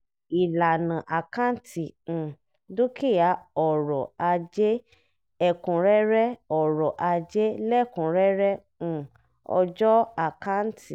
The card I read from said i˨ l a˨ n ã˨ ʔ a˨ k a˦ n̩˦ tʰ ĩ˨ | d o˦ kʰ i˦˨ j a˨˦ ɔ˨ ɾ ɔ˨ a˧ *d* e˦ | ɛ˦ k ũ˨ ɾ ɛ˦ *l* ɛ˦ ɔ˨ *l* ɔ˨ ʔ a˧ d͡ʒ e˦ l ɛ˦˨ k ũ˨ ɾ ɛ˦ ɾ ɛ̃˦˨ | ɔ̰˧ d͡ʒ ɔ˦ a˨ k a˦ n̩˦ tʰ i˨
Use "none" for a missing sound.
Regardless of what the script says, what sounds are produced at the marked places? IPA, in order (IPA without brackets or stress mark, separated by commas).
d͡ʒ, ɾ, ɾ